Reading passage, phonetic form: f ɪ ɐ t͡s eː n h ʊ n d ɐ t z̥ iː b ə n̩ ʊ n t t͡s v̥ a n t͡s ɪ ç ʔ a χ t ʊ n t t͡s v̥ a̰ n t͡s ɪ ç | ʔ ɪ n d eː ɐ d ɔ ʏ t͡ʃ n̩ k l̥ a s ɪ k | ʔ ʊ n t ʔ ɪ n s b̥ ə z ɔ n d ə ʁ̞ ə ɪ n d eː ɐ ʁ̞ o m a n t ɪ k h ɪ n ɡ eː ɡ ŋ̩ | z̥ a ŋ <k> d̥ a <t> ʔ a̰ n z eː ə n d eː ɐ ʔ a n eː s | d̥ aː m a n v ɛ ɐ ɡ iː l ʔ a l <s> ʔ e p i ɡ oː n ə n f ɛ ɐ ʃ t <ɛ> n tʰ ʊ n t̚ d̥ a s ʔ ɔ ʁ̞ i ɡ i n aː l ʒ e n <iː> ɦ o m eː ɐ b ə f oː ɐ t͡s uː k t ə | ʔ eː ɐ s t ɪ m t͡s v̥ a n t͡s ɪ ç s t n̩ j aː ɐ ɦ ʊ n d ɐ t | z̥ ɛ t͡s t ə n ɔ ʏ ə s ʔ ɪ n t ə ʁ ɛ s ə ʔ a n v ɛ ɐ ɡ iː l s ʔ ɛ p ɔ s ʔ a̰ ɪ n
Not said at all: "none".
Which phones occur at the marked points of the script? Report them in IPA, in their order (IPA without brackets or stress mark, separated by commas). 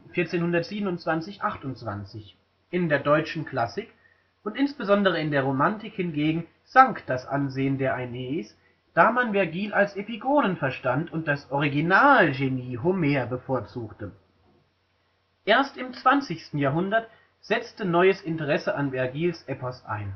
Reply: k, s, s, a, iː